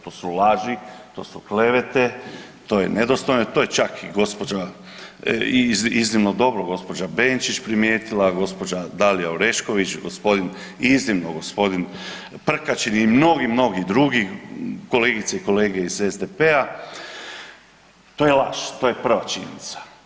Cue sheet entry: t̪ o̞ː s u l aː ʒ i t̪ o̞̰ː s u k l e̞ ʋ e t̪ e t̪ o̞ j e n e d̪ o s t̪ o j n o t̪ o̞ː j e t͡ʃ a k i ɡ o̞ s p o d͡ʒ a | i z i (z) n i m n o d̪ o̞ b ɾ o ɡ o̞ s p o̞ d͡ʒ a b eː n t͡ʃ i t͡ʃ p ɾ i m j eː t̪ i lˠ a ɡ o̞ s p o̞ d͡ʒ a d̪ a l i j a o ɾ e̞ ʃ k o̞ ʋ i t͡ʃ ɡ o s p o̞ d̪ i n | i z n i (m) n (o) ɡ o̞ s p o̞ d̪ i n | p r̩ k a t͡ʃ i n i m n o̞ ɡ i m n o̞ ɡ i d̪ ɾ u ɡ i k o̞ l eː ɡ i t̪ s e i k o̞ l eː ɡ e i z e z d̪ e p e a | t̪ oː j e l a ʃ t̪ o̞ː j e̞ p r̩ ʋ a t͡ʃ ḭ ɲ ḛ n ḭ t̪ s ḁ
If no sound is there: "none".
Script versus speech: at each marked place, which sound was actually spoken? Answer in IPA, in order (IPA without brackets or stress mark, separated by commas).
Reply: z, m, o